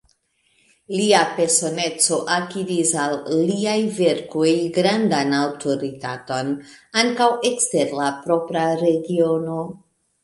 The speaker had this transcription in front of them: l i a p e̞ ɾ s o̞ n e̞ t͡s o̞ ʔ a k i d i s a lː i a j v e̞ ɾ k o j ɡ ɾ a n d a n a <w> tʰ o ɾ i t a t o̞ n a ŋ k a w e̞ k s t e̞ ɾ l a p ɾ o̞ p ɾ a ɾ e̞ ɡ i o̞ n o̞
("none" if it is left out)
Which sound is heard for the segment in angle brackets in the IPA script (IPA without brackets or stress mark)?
w